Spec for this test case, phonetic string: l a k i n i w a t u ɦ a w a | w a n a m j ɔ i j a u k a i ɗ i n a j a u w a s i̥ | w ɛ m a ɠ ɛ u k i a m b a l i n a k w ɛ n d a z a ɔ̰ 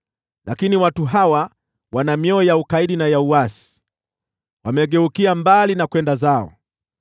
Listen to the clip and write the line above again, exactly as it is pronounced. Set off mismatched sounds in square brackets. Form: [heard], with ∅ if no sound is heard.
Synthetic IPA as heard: l a k i n i w a t u ɦ a w a | w a n a m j ɔ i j a u k a i ɗ i n a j a u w a s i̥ | w [a] m [ɛ] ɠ ɛ u k i a m b a l i n a k w ɛ n d a z a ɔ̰